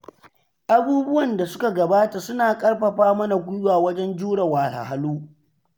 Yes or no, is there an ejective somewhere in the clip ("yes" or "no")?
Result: yes